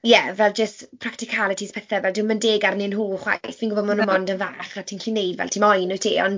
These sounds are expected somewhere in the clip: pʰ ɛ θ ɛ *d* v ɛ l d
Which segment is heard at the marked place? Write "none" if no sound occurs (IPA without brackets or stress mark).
none